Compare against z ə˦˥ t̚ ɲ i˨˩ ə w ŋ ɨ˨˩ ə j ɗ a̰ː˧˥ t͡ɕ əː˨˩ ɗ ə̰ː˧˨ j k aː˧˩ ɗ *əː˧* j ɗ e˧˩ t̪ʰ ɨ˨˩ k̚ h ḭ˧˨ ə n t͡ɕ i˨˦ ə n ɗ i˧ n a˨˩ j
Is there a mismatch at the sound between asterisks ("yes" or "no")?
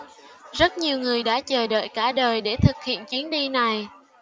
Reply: yes